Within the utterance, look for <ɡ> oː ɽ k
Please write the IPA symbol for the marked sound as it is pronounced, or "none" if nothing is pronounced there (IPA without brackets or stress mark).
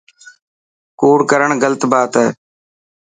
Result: k